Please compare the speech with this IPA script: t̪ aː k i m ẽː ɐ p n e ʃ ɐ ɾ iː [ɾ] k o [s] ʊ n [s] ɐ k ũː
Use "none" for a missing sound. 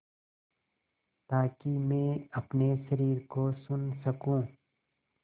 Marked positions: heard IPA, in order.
ɾ, s, s

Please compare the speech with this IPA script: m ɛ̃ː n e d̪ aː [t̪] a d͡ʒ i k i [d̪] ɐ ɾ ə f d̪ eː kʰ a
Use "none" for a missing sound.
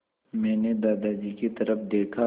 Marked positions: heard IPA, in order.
d̪, t̪

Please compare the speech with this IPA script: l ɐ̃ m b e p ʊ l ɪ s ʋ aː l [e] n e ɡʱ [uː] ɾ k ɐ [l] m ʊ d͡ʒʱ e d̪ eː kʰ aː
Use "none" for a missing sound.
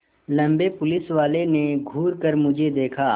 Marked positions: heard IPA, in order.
e, uː, ɾ

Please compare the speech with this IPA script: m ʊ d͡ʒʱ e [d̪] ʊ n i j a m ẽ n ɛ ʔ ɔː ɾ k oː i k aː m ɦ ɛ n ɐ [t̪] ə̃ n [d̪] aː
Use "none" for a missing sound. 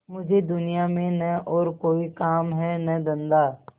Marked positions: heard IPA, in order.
d̪, d̪, d̪

